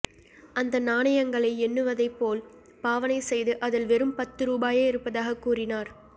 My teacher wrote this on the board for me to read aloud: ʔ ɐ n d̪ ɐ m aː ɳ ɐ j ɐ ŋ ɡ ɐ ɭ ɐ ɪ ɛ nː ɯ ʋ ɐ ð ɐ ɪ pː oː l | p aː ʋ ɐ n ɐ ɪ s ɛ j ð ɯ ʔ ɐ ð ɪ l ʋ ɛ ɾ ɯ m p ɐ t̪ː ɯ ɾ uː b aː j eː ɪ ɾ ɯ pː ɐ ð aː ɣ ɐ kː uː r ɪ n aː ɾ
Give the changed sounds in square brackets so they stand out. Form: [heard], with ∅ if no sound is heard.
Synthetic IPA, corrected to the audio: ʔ ɐ n d̪ ɐ [n] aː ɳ ɐ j ɐ ŋ ɡ ɐ ɭ ɐ ɪ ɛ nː ɯ ʋ ɐ ð ɐ ɪ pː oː l | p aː ʋ ɐ n ɐ ɪ s ɛ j ð ɯ ʔ ɐ ð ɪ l ʋ ɛ ɾ ɯ m p ɐ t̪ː ɯ ɾ uː b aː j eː ɪ ɾ ɯ pː ɐ ð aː ɣ ɐ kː uː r ɪ n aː ɾ